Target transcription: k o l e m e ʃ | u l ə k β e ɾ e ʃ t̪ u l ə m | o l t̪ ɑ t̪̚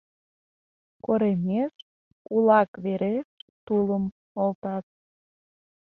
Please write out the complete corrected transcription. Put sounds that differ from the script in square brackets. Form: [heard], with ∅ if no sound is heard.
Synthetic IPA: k o [ɾ] e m e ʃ | u l [ɑ] k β e ɾ e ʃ t̪ u l ə m | o l t̪ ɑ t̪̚